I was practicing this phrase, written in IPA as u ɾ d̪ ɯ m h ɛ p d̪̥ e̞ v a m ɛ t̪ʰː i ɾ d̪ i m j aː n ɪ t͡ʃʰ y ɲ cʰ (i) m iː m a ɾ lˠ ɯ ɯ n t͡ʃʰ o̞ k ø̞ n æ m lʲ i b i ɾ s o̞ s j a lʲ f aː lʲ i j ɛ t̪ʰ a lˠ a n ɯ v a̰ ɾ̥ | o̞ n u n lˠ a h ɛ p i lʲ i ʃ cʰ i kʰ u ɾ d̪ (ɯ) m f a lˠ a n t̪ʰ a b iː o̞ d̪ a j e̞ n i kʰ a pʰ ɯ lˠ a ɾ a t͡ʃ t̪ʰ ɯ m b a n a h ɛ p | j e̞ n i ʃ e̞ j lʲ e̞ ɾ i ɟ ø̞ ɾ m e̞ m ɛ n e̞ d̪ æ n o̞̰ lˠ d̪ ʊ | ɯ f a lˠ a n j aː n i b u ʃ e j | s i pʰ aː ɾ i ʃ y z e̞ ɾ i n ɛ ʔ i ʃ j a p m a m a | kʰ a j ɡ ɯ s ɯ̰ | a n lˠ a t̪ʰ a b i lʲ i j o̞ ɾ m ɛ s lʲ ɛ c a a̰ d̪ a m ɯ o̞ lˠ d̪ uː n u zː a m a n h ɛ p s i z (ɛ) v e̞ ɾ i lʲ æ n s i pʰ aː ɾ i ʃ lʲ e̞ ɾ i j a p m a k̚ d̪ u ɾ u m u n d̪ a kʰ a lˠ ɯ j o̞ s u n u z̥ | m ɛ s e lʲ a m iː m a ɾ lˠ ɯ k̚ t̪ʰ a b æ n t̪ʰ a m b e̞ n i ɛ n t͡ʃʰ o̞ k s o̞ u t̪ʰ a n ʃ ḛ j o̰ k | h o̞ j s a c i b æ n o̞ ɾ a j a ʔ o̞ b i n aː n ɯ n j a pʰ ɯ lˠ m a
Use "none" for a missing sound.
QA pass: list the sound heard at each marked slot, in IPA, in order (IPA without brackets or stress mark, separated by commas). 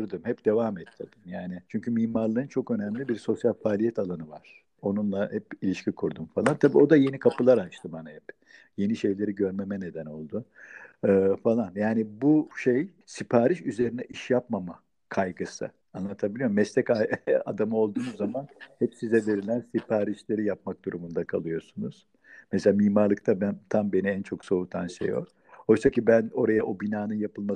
y, u, ɛ